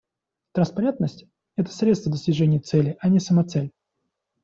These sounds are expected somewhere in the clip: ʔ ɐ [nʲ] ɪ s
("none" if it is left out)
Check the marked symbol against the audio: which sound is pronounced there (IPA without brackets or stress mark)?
nʲ